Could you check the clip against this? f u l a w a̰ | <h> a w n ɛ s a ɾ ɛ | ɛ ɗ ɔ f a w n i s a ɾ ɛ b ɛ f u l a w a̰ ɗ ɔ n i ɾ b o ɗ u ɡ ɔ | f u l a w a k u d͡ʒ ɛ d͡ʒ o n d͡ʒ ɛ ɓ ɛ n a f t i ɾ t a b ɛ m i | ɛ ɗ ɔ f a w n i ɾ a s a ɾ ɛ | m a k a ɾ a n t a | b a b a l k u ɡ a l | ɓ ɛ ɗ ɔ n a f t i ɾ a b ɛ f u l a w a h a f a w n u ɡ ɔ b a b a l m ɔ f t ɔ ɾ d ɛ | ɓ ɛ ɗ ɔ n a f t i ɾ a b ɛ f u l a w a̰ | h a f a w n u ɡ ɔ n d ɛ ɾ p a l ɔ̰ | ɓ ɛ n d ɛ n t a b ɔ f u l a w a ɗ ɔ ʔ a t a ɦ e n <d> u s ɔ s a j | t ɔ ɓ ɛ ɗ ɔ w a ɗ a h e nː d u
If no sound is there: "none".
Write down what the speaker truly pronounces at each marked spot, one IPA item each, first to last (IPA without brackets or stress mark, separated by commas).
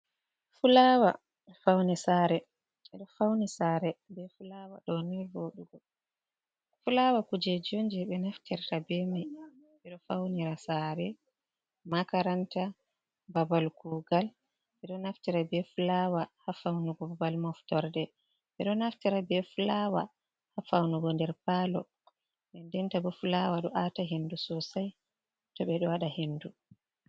f, d